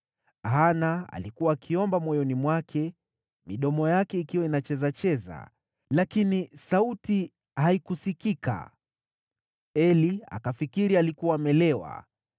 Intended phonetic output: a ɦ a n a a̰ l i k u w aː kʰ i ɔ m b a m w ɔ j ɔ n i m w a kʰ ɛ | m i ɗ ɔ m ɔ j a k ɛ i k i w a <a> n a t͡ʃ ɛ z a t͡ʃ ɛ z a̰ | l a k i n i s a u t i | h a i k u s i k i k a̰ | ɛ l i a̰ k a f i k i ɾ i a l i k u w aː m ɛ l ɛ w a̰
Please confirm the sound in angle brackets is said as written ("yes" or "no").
no